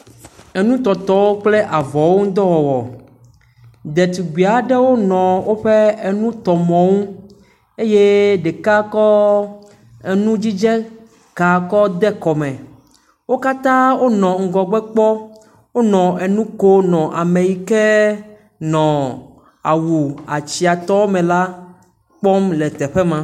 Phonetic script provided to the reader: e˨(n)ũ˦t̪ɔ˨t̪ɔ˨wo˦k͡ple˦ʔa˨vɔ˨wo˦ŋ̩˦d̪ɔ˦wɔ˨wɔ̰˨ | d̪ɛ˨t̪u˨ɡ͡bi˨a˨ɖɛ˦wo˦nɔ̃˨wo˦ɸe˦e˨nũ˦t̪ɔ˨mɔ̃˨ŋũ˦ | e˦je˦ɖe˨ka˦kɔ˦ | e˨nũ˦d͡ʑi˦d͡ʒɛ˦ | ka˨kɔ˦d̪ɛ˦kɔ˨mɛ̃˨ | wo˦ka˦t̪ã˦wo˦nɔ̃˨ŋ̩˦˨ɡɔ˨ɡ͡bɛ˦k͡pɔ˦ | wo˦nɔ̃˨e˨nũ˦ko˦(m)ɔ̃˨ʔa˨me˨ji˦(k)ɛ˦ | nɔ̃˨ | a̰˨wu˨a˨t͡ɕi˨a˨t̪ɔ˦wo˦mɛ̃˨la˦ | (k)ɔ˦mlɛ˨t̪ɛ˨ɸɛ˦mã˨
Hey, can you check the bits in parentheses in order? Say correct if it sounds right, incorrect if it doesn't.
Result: correct, incorrect: n, correct, incorrect: k͡p

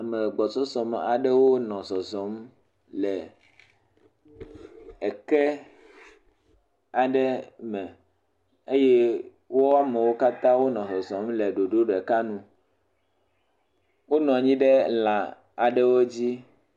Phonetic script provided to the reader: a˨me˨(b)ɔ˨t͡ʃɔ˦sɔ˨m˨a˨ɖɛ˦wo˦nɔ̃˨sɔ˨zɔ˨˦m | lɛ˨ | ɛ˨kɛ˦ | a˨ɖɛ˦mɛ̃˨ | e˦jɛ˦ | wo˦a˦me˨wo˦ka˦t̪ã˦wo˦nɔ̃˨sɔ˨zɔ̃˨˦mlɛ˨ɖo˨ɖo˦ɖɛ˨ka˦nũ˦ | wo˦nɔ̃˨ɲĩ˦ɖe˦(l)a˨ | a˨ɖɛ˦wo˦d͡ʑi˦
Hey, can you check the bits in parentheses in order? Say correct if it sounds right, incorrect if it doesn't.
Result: incorrect: ɡ͡b, correct

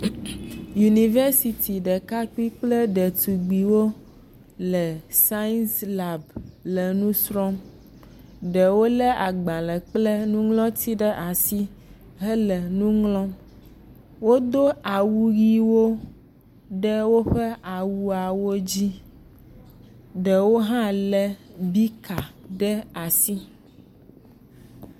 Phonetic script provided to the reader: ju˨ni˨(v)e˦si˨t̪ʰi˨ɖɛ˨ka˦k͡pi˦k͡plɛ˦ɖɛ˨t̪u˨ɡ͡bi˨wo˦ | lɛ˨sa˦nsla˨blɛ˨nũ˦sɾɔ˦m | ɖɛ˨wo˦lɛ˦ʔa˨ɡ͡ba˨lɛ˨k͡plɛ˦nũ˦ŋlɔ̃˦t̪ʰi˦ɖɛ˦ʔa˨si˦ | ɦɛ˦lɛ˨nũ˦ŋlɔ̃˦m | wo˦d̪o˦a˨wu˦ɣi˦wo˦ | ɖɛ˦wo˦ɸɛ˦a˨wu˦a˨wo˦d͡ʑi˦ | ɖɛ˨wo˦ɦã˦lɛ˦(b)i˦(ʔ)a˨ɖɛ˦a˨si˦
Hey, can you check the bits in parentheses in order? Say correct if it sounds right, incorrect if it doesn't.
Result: correct, correct, incorrect: k

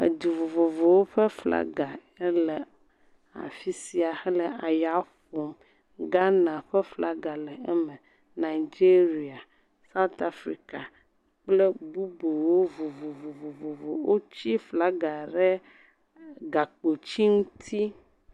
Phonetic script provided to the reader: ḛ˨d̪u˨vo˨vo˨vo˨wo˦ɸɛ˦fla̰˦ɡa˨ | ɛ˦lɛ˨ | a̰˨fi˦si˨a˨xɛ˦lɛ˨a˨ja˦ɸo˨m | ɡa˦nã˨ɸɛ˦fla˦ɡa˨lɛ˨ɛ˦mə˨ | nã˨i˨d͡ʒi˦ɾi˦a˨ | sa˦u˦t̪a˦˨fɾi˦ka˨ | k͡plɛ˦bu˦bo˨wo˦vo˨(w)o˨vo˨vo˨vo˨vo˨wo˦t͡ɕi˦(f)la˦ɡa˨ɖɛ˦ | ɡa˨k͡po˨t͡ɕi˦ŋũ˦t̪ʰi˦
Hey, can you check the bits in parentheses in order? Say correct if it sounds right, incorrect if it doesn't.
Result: incorrect: v, correct

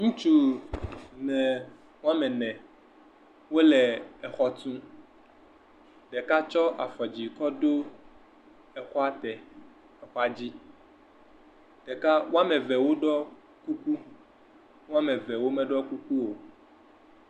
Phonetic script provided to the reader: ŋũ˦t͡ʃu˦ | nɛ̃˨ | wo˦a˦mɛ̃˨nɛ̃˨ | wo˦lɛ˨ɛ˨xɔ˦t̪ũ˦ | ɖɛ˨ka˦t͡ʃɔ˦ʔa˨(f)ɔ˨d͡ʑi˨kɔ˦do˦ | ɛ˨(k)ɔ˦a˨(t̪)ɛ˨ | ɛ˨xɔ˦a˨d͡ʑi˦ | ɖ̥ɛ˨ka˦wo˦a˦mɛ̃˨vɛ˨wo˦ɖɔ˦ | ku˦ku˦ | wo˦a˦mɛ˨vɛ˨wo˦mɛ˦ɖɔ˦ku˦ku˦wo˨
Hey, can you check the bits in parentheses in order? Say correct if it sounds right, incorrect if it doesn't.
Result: correct, incorrect: x, correct

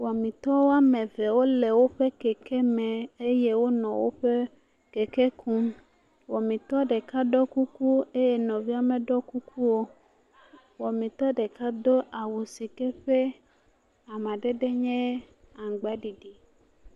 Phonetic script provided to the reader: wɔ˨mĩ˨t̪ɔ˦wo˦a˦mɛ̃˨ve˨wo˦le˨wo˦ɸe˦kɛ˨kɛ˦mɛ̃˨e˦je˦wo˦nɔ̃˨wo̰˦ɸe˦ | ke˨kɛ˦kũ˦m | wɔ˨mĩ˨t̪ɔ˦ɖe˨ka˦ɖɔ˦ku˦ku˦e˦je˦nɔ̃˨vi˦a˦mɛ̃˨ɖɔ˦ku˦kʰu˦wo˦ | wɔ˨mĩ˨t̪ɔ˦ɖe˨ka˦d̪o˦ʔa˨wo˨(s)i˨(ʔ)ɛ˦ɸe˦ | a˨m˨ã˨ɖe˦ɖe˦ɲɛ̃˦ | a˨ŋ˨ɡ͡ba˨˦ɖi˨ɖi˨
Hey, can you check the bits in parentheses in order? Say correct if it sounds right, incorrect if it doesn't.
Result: correct, incorrect: k

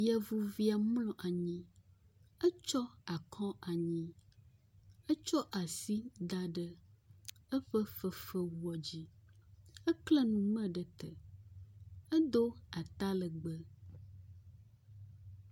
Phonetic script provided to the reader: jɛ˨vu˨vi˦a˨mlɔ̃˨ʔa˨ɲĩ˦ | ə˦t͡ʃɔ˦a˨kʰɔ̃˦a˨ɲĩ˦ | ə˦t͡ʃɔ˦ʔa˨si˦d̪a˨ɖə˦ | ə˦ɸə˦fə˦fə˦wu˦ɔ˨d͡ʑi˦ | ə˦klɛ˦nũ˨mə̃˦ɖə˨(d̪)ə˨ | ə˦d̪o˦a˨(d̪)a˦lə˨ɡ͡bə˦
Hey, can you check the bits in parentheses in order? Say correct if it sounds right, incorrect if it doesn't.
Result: incorrect: t̪, incorrect: t̪

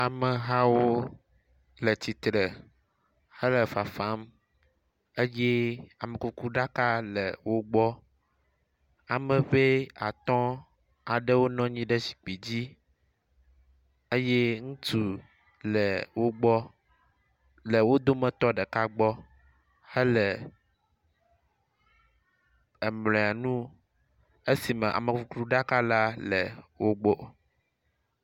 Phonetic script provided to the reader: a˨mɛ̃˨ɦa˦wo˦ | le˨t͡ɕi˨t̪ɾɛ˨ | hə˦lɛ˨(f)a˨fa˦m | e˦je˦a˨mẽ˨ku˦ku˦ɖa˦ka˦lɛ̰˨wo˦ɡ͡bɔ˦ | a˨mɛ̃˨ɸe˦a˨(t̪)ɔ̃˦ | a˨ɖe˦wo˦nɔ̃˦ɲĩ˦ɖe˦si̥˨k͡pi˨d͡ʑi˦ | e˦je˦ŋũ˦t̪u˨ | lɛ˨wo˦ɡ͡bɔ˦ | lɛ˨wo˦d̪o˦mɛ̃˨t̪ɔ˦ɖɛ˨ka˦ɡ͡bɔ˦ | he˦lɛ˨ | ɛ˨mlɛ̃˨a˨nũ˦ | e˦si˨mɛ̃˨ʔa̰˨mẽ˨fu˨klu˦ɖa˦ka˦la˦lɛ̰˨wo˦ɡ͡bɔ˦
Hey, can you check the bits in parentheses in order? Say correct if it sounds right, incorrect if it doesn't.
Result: correct, correct

